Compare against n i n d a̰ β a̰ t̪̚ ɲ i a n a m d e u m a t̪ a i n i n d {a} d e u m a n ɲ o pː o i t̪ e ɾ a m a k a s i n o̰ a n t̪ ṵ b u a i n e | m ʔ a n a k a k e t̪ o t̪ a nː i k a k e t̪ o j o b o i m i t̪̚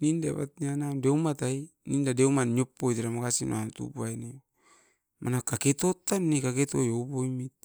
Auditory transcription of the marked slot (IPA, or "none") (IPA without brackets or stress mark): a